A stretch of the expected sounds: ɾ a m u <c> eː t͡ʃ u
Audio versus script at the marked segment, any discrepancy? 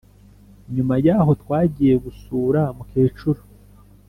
yes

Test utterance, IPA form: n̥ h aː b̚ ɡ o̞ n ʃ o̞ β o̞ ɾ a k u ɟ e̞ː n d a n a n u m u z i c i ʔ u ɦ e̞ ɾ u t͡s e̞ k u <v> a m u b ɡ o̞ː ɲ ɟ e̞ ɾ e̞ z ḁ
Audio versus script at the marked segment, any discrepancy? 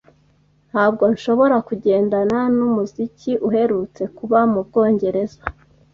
yes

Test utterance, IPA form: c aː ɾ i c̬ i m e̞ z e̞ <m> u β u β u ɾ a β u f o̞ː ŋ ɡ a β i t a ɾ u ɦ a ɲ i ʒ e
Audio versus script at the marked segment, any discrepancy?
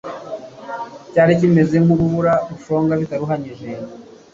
yes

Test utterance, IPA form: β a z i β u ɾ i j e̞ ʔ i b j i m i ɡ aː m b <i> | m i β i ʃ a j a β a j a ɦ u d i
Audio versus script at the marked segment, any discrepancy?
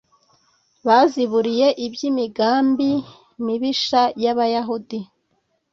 no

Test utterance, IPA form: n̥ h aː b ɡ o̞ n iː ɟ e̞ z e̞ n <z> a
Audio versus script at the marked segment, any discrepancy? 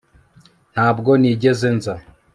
no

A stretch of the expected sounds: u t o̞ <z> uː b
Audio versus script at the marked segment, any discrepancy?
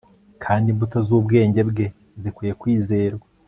no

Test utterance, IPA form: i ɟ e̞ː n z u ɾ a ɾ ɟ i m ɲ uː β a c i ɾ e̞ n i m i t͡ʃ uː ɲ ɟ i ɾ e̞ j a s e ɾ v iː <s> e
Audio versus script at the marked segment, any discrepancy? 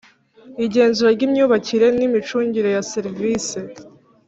no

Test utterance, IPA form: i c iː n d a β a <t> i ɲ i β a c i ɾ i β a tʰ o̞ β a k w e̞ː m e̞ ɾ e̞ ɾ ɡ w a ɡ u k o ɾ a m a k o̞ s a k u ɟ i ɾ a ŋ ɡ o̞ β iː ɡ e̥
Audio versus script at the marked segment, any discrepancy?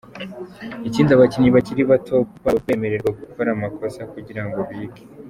yes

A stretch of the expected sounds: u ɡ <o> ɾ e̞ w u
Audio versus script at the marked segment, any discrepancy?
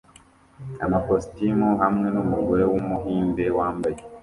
no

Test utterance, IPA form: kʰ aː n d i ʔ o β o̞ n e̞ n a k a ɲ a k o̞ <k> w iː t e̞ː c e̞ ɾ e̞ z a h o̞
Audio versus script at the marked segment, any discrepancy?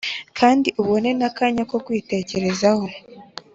no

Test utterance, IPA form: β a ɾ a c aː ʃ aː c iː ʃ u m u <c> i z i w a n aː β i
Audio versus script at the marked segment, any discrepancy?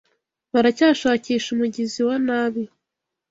yes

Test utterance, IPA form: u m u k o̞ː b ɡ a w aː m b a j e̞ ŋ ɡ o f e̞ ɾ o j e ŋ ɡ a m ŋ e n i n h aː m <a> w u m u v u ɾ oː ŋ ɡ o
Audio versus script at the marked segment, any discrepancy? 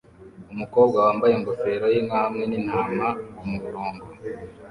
no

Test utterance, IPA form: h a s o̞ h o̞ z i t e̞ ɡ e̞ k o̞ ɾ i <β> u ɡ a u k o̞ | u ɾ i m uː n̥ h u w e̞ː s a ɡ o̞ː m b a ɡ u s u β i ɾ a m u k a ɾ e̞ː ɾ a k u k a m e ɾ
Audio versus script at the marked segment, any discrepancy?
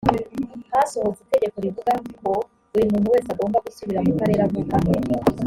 yes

